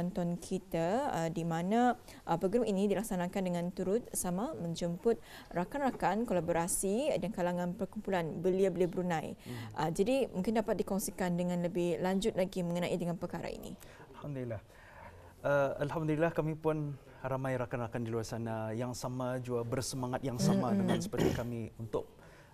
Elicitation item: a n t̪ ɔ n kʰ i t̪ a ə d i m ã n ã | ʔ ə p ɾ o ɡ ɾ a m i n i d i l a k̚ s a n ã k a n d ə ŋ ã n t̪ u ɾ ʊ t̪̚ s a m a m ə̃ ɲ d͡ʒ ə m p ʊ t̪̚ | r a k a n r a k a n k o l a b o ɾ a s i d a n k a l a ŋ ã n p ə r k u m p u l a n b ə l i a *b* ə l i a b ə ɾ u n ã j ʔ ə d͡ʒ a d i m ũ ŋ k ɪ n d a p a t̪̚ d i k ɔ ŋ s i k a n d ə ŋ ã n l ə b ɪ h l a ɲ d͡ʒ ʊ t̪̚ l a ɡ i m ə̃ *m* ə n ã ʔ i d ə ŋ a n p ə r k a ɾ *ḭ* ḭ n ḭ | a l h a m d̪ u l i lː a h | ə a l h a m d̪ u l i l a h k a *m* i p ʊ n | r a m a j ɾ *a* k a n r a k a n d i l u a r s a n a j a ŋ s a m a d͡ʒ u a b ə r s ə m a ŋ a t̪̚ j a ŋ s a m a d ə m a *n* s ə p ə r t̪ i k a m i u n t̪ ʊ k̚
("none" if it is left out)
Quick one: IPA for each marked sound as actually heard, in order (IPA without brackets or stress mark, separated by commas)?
b, ŋ, a̰, m, a, n